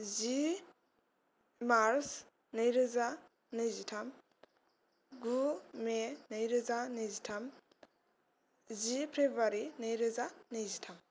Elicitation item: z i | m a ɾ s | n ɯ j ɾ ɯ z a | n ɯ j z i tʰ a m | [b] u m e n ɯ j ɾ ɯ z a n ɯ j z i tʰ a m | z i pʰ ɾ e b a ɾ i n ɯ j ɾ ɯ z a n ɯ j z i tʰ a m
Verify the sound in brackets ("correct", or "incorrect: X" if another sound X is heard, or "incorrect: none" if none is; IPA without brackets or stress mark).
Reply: incorrect: ɡ